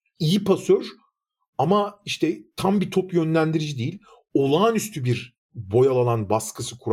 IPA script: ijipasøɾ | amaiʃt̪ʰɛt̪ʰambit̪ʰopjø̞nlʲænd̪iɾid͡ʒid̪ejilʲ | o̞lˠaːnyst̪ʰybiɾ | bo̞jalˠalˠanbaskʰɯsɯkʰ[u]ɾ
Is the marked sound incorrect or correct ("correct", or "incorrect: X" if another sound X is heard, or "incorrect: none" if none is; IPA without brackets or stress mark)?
correct